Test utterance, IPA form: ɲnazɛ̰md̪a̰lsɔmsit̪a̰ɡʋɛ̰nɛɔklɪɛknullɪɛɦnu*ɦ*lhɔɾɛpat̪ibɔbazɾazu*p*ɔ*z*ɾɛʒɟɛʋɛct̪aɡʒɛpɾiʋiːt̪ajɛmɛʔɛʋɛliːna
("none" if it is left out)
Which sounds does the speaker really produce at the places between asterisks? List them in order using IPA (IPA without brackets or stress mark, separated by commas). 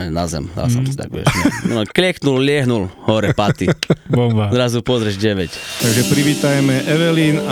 none, p, z